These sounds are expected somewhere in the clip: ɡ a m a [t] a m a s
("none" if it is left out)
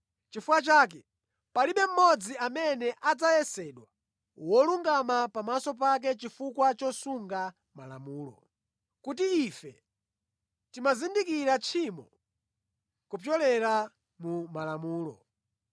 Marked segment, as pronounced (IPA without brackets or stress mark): p